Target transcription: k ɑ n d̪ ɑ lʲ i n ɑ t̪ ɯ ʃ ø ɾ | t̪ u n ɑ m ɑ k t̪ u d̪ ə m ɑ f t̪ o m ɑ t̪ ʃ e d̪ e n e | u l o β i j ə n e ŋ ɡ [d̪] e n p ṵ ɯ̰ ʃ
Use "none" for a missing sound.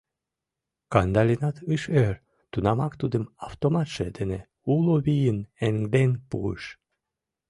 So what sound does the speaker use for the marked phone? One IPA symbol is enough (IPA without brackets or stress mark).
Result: d̪